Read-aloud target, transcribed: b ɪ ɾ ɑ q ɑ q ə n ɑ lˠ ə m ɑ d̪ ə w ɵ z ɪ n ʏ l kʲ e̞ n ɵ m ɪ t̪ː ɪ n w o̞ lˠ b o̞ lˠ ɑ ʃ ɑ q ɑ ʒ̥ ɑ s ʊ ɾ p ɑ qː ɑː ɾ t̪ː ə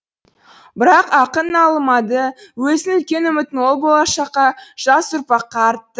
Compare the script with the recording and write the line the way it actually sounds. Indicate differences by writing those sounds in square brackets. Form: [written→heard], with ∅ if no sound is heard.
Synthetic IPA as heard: b ɪ ɾ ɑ q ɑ q ə n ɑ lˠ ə m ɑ d̪ ə w ɵ z ɪ n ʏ l kʲ e̞ n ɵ m ɪ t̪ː ɪ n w o̞ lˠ b o̞ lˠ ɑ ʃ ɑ q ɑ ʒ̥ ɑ s ʊ ɾ p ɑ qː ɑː ɾ t̪ː ə